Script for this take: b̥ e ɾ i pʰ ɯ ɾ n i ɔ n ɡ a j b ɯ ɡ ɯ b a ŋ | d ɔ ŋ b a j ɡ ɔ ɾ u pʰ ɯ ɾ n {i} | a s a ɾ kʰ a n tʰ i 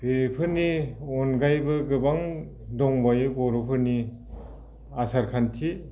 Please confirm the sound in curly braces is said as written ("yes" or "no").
yes